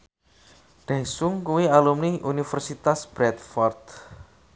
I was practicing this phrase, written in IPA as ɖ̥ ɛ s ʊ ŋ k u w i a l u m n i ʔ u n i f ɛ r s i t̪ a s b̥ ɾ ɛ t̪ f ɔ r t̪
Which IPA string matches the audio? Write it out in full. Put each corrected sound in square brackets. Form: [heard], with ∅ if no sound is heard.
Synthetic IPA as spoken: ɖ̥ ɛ s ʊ ŋ k u w i a l u m n i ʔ u n i f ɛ r s i t̪ a s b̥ ɾ ɛ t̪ f ɔ r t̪